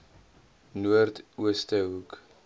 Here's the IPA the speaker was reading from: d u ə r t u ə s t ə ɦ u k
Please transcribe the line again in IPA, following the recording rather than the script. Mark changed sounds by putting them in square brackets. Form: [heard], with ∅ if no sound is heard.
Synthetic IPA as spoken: [n] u ə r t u ə s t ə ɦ u k